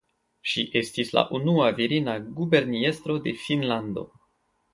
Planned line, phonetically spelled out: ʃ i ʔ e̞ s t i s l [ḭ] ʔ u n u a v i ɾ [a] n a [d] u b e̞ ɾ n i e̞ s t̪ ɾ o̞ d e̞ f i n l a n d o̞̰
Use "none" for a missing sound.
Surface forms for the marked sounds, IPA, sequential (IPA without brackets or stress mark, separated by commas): a̰, i, ɡ